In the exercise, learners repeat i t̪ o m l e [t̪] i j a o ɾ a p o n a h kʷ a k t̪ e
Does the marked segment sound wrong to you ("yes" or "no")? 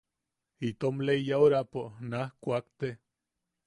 yes